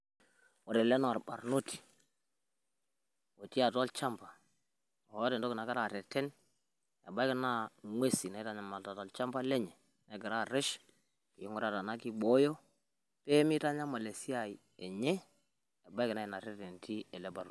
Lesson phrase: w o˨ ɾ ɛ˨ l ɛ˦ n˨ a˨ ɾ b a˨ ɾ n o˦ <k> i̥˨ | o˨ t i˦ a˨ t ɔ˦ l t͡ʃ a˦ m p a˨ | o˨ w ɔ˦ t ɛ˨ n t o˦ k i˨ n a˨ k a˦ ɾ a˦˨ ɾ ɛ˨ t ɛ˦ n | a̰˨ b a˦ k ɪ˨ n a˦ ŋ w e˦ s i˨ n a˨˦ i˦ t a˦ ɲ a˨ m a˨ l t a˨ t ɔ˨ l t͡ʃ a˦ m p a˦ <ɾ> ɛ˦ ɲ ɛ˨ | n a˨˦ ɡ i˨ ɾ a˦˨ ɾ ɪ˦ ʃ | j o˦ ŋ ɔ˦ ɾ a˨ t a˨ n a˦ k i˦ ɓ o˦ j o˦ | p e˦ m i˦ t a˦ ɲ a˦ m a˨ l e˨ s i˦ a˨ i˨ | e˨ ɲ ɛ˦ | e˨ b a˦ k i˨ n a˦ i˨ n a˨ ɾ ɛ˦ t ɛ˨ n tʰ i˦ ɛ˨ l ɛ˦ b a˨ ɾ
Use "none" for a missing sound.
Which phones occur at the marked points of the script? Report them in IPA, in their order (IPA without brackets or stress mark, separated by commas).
t, l